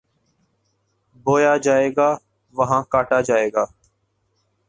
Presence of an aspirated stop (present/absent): absent